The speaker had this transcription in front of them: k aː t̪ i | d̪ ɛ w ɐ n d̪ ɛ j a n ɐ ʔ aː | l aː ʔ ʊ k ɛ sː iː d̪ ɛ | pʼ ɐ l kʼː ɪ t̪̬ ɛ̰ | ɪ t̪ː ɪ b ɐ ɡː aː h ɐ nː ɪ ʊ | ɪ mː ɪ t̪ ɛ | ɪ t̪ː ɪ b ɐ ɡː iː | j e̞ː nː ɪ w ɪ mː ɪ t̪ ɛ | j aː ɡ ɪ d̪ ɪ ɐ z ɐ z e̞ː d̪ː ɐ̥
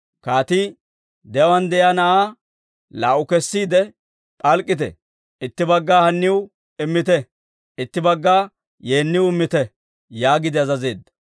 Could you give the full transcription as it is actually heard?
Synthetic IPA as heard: k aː t̪ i | d̪ ɛ w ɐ n d̪ ɛ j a n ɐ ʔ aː | l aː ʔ ʊ k ɛ sː iː d̪ ɛ | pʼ ɐ l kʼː ɪ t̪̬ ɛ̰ | ɪ t̪ː ɪ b ɐ ɡː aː h ɐ nː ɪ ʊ | ɪ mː ɪ t̪ ɛ | ɪ t̪ː ɪ b ɐ ɡː aː | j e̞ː nː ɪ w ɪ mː ɪ t̪ ɛ | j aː ɡ ɪ d̪ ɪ ɐ z ɐ z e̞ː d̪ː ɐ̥